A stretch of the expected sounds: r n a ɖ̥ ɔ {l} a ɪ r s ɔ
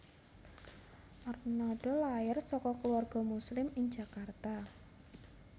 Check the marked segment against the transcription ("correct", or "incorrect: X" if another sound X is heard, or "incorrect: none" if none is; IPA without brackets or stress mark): correct